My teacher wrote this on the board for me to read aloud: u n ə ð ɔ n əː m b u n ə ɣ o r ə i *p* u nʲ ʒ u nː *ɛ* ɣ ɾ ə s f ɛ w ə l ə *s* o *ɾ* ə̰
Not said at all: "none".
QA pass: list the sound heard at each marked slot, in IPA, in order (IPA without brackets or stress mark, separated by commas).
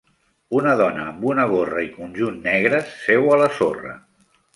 k, ɛ, s, r